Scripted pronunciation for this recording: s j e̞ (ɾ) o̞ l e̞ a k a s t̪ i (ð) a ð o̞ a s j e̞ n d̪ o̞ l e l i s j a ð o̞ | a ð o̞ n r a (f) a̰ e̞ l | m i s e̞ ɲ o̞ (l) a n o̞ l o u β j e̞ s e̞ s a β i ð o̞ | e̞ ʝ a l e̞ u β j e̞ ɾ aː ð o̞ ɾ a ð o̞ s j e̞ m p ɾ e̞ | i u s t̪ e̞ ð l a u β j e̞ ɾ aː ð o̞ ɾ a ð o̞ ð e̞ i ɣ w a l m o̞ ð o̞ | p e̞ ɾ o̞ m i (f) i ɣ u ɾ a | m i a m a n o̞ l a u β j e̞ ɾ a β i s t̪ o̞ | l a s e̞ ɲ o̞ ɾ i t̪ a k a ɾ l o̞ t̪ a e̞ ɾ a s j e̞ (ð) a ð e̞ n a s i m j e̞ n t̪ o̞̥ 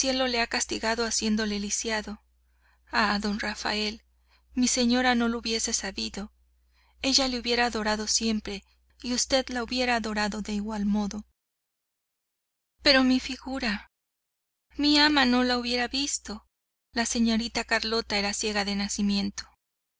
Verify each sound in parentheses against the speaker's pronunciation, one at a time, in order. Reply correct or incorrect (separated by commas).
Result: incorrect, incorrect, correct, incorrect, correct, incorrect